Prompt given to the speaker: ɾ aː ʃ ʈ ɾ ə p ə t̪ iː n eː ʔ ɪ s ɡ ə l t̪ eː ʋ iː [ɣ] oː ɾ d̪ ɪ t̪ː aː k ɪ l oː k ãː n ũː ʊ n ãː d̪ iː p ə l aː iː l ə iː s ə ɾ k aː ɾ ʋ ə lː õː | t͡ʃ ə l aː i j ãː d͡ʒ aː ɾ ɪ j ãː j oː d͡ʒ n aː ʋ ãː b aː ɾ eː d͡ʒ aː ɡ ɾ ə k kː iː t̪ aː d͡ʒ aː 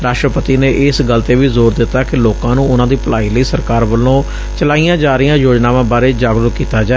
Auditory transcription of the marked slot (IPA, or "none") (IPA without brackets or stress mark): z